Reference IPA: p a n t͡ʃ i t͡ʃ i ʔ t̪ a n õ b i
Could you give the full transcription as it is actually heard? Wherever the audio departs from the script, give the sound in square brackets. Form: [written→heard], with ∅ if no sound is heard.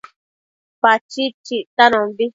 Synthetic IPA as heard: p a [n→∅] t͡ʃ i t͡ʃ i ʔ t̪ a n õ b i